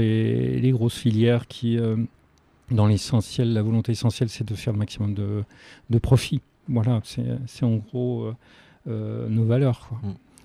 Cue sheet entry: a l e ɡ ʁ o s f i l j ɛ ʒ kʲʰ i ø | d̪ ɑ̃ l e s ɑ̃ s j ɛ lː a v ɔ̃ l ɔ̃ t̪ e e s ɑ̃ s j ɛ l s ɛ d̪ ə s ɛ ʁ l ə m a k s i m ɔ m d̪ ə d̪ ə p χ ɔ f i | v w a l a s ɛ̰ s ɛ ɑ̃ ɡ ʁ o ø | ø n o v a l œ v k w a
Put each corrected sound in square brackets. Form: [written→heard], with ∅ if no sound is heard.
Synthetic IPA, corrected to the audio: [a→e] l e ɡ ʁ o s f i l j ɛ [ʒ→ʁ] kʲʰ i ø | d̪ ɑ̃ l e s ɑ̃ s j ɛ lː a v [ɔ̃→ɔ] l ɔ̃ t̪ e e s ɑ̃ s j ɛ l s ɛ d̪ ə [s→f] ɛ ʁ l ə m a k s i m ɔ m d̪ ə d̪ ə p χ ɔ f i | v w a l a s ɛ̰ s ɛ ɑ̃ ɡ ʁ o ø | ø n o v a l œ [v→ʁ] k w a